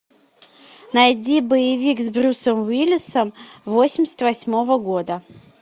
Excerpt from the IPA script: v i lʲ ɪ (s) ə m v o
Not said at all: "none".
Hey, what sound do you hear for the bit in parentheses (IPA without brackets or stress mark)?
s